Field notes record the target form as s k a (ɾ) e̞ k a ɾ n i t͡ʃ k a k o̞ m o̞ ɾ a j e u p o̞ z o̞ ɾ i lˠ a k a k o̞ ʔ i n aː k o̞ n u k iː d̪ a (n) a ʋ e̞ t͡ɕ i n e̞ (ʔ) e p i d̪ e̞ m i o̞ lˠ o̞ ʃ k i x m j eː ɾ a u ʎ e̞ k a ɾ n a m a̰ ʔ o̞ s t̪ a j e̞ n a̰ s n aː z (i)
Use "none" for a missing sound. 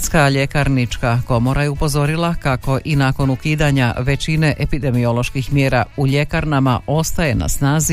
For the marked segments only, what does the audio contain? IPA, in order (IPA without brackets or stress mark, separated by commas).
ʎ, ɲ, ʔ, i